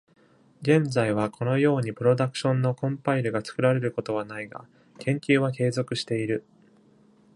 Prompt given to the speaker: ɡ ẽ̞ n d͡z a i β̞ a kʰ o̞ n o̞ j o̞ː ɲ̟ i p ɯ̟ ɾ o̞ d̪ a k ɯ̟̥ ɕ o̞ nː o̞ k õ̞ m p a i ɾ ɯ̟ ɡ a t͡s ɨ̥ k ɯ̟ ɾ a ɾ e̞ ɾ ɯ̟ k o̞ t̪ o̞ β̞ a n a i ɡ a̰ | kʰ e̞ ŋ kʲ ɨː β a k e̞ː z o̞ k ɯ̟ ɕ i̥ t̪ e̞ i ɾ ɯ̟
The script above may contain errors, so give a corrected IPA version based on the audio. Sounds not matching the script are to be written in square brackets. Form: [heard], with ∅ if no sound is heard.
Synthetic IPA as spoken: ɡ ẽ̞ n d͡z a i β̞ a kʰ o̞ n o̞ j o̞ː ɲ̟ i p ɯ̟ ɾ o̞ d̪ a k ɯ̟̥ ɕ [õ̞] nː o̞ k õ̞ m p a i ɾ ɯ̟ ɡ a t͡s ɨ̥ k ɯ̟ ɾ a ɾ e̞ ɾ ɯ̟ k o̞ t̪ o̞ β̞ a n a i ɡ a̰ | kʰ [ẽ̞] ŋ kʲ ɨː β a k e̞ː z o̞ k ɯ̟ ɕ i̥ t̪ e̞ i ɾ ɯ̟